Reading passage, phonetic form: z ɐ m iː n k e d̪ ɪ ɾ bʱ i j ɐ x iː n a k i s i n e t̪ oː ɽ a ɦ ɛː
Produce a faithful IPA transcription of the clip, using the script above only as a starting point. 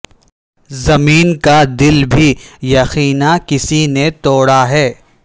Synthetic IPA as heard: z ɐ m iː n k a d̪ ɪ l bʱ i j ɐ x iː n a k ɪ s i n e t̪ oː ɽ a ɦ ɛː